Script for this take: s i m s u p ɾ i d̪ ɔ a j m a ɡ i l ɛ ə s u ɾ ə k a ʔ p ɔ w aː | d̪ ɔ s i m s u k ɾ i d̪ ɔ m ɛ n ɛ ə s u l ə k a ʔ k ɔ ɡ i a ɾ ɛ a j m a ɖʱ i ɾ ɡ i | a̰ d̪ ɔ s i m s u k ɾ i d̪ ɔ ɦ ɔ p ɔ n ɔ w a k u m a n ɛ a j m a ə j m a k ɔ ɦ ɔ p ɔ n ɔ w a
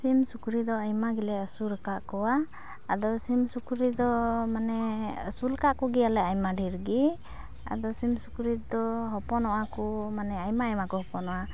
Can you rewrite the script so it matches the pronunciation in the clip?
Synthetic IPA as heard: s i m s u k ɾ i d̪ ɔ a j m a ɡ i l ɛ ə s u ɾ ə k a ʔ k ɔ w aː | d̪ ɔ s i m s u k ɾ i d̪ ɔ m a n ɛ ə s u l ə k a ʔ k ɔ ɡ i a l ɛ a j m a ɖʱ i ɾ ɡ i | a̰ d̪ ɔ s i m s u k ɾ i d̪ ɔ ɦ ɔ p ɔ n ɔ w a k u m a n ɛ a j m a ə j m a k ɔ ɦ ɔ p ɔ n ɔ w a